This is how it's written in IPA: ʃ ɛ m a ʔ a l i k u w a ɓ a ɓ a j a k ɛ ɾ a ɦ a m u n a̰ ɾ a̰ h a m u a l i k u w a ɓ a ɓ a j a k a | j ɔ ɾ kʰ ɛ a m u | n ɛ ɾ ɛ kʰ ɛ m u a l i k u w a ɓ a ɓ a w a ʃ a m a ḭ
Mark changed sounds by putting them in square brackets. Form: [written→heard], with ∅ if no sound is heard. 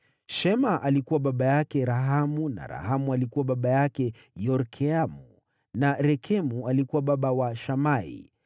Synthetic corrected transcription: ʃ ɛ m a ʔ a l i k u w a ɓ a ɓ a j a k ɛ ɾ a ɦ a m u n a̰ ɾ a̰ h a m u a l i k u w a ɓ a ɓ a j a k [a→ɛ] | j ɔ ɾ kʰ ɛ a m u | n [ɛ→a] ɾ ɛ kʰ ɛ m u a l i k u w a ɓ a ɓ a w a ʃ a m a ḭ

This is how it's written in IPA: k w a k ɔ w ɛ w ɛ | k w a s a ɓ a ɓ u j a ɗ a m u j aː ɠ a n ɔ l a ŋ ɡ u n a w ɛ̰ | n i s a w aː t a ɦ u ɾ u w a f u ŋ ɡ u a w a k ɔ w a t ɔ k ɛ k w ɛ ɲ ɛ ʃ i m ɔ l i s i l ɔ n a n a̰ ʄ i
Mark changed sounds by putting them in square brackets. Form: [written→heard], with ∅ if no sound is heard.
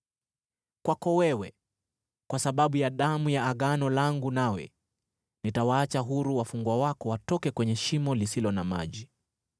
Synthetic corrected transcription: k w a k ɔ w ɛ w ɛ | k w a s a ɓ a ɓ u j a ɗ a m u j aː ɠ a n ɔ l a ŋ ɡ u n a w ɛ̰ | n i [s→t] a w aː [t→t͡ʃ] a ɦ u ɾ u w a f u ŋ ɡ [u→w] a w a k ɔ w a t ɔ k ɛ k w ɛ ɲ ɛ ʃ i m ɔ l i s i l ɔ n a [n→m] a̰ ʄ i

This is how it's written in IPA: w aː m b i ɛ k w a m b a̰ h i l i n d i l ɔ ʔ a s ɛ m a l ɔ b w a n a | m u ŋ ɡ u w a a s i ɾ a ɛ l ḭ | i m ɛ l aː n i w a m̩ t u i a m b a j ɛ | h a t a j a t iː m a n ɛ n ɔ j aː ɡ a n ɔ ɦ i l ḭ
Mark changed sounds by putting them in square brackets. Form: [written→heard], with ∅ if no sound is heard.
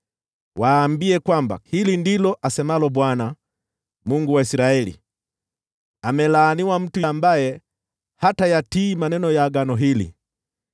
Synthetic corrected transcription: w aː m b i ɛ k w a m b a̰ h i l i n d i l ɔ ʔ a s ɛ m a l ɔ b w a n a | m u ŋ ɡ u w a [a→i] s i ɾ a ɛ l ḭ | [i→a] m ɛ l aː n i w a m̩ t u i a m b a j ɛ | h a t a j a t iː m a n ɛ n ɔ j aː ɡ a n ɔ ɦ i l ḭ

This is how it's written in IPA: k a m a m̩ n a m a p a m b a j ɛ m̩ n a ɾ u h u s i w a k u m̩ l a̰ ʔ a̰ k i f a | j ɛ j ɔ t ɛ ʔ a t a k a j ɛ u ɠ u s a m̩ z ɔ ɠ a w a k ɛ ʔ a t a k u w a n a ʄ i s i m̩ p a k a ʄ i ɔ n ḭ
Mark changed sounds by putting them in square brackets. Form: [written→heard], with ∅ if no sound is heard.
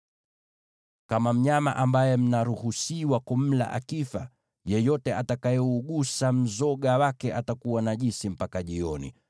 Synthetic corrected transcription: k a m a m̩ [n→ɲ] a m a [p→ʔ] a m b a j ɛ m̩ n a ɾ u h u s i w a k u m̩ l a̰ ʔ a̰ k i f a | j ɛ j ɔ t ɛ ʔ a t a k a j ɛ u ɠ u s a m̩ z ɔ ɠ a w a k ɛ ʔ a t a k u w a n a ʄ i s i m̩ p a k a ʄ i ɔ n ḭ

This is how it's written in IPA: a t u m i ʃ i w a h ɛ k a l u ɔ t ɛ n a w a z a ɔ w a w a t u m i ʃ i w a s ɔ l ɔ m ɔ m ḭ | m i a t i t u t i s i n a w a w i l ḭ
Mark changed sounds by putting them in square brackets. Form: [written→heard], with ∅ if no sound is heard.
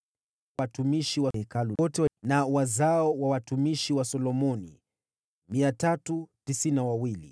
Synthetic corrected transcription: a t u m i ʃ i w a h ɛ k a l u ɔ t ɛ n a w a z a ɔ w a w a t u m i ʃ i w a s ɔ l ɔ m ɔ [m→n] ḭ | m i a t [i→a] t u t i s i n a w a w i l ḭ

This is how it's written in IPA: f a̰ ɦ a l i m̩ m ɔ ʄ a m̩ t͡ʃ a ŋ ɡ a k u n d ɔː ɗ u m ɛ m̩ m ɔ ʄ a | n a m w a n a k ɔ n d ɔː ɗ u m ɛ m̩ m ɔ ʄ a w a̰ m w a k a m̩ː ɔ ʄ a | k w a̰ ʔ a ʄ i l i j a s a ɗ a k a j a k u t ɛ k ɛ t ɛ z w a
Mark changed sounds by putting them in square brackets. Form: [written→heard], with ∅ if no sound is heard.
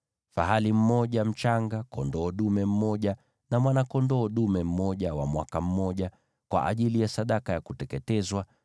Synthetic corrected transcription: f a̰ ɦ a l i m̩ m ɔ ʄ a m̩ t͡ʃ a ŋ ɡ a k [u→ɔ] n d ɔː ɗ u m ɛ m̩ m ɔ ʄ a | n a m w a n a k ɔ n d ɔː ɗ u m ɛ m̩ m ɔ ʄ a w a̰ m w a k a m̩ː ɔ ʄ a | k w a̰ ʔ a ʄ i l i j a s a ɗ a k a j a k u t ɛ k ɛ t ɛ z w a

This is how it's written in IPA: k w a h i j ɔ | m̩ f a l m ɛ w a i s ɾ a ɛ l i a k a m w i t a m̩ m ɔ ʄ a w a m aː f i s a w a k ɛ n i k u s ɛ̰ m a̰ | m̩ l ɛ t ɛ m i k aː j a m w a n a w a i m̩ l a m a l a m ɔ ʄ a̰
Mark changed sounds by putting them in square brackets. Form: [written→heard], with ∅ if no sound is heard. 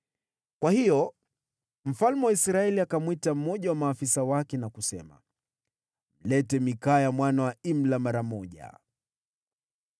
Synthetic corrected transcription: k w a h i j ɔ | m̩ f a l m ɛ w a i s ɾ a ɛ l i a k a m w i t a m̩ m ɔ ʄ a w a m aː f i s a w a k ɛ n [i→a] k u s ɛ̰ m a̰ | m̩ l ɛ t ɛ m i k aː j a m w a n a w a i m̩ l a m a [l→ɾ] a m ɔ ʄ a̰

